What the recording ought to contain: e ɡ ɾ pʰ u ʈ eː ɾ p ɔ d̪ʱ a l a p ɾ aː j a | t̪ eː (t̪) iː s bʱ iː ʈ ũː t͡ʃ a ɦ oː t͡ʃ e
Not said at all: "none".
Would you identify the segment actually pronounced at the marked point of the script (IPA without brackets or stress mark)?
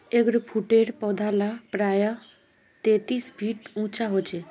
t̪